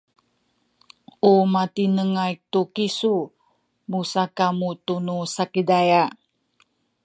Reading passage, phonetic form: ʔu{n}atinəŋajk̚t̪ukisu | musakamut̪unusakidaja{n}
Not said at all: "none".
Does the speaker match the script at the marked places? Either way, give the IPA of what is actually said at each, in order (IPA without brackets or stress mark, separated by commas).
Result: m, none